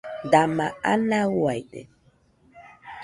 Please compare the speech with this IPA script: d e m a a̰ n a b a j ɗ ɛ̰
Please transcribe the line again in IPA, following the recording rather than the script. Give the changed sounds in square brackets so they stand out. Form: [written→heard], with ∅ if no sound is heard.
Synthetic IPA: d [e→a] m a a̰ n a [b→w] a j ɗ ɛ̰